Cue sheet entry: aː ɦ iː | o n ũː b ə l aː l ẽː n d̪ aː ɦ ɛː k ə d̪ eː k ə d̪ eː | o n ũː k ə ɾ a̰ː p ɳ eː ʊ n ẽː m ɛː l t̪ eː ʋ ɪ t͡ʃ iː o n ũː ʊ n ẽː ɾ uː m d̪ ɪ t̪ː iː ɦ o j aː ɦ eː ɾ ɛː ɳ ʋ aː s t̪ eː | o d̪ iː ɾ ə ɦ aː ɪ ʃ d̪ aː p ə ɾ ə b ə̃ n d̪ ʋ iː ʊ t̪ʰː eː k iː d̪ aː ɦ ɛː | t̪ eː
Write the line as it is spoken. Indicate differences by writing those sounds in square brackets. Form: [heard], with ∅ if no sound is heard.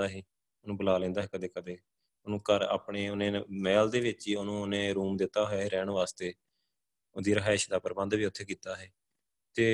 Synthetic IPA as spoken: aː ɦ iː | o n ũː b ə l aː l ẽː n d̪ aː ɦ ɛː k ə d̪ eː k ə d̪ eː | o n ũː k ə ɾ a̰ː p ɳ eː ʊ n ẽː m ɛː l [d̪] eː ʋ ɪ t͡ʃ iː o n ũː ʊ n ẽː ɾ uː m d̪ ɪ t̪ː [aː] ɦ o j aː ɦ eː ɾ ɛː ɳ ʋ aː s t̪ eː | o d̪ iː ɾ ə ɦ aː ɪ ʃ d̪ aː p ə ɾ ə b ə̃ n d̪ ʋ iː ʊ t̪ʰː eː k iː [t̪] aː ɦ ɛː | t̪ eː